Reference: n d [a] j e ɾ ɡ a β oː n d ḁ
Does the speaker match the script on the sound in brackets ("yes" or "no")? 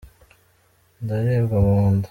yes